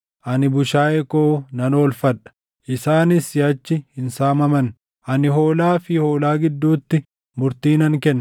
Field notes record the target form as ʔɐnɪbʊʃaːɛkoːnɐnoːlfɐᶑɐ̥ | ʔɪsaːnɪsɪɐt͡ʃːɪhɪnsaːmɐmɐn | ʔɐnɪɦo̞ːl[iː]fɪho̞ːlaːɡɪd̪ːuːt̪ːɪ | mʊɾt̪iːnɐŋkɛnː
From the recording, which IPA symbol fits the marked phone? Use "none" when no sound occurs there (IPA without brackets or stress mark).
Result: aː